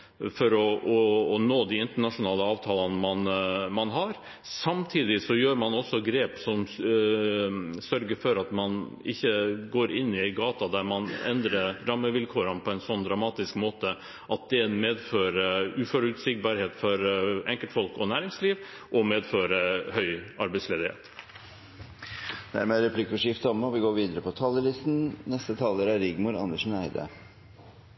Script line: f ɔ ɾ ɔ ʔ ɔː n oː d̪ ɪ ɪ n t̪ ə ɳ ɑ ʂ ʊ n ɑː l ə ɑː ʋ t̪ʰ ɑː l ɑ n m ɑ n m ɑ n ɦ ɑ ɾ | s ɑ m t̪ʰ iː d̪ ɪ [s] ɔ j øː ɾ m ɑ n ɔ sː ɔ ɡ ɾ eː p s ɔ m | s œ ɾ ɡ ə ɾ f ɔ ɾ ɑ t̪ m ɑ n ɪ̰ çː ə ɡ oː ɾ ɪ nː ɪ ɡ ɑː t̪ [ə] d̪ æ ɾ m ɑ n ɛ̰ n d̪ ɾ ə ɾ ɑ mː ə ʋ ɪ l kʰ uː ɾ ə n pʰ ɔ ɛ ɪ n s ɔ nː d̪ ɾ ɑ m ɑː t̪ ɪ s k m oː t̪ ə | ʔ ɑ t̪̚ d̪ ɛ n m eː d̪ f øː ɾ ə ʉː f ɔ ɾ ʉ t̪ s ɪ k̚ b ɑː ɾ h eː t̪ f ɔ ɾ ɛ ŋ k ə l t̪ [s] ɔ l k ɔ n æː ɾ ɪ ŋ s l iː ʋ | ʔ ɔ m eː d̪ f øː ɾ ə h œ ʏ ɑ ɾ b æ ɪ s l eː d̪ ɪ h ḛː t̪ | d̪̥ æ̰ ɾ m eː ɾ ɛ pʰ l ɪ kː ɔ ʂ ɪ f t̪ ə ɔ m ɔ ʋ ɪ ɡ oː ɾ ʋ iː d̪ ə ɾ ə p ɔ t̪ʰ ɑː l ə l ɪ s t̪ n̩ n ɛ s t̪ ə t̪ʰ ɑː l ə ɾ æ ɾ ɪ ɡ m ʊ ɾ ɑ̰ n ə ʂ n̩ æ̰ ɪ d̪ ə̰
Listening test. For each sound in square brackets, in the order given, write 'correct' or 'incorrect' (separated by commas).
correct, incorrect, incorrect